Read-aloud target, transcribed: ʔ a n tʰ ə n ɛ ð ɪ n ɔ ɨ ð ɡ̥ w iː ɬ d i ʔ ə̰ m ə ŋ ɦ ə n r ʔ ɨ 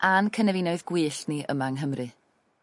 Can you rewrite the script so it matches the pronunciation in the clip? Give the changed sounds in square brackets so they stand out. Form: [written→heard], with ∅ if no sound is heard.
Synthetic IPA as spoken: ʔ a n [tʰ→kʰ] ə n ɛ [ð→v] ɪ n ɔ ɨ ð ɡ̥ w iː ɬ [d→n] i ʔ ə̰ m [ə→a] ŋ ɦ ə [n→m] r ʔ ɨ